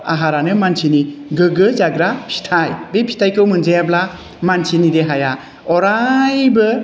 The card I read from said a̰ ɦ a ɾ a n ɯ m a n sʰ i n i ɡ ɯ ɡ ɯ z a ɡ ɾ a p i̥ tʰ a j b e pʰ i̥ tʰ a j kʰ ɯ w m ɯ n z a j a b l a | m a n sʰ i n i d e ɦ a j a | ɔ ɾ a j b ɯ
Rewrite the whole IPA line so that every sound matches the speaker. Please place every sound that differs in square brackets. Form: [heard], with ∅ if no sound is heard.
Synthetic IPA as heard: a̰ ɦ a ɾ a n ɯ m a n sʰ i n i ɡ ɯ ɡ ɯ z a ɡ ɾ a [pʰ] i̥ tʰ a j b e pʰ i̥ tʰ a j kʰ ɯ w m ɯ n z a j a b l a | m a n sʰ i n i d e ɦ a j a | ɔ ɾ a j b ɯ